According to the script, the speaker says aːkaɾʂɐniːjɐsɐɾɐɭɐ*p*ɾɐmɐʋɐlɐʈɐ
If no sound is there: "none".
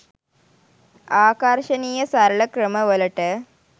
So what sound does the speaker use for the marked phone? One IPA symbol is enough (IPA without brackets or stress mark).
k